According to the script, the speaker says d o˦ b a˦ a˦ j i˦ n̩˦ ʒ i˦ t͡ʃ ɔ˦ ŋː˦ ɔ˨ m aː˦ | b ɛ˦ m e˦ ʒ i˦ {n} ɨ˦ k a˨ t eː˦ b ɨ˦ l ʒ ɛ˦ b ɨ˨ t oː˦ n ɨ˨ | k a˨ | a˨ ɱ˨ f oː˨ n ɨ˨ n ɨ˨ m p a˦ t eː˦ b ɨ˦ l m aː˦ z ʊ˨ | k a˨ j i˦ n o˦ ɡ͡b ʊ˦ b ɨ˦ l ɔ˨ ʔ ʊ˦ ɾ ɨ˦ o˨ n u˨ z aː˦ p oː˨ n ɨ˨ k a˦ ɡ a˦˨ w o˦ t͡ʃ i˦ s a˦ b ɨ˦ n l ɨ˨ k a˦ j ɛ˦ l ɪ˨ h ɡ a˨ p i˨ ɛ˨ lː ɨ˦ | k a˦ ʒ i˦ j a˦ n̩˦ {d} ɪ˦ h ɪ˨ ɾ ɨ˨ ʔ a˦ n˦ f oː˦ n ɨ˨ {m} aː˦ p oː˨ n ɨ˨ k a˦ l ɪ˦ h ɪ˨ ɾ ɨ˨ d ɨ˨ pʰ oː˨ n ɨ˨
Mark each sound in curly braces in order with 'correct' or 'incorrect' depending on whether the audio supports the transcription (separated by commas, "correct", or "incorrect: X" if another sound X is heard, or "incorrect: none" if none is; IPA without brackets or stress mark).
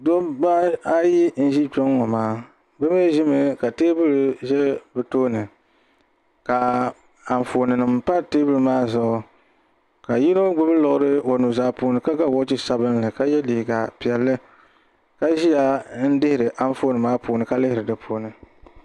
incorrect: m, correct, correct